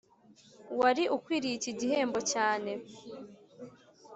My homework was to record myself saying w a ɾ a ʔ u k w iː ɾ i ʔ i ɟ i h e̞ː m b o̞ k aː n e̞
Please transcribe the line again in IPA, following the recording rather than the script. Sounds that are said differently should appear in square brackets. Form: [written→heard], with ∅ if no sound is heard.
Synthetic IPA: w a ɾ [a→i] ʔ u k w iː ɾ i [ʔ→c] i ɟ i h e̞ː m b o̞ [k→c] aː n e̞

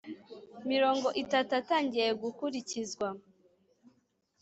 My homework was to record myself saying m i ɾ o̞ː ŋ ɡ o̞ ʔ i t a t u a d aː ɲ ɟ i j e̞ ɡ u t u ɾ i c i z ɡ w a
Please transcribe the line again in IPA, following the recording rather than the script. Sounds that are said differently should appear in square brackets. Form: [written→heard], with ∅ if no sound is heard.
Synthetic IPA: m i ɾ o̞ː ŋ ɡ o̞ ʔ i t a t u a [d→t] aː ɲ ɟ i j e̞ ɡ u [t→k] u ɾ i c i z ɡ w a

